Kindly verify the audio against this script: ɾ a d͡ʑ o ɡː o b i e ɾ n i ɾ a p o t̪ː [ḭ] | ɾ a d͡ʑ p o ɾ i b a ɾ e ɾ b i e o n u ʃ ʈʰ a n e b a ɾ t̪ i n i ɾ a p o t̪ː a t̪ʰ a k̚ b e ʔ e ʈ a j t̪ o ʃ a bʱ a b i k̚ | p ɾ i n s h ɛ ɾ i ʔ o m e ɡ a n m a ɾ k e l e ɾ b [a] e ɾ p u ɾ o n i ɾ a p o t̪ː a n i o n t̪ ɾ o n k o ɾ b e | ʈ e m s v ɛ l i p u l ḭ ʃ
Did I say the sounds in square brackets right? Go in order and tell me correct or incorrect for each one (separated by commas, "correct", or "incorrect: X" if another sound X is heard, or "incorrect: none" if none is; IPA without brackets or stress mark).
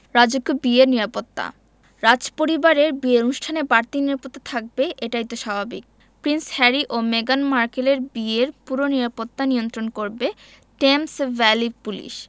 incorrect: a̰, incorrect: i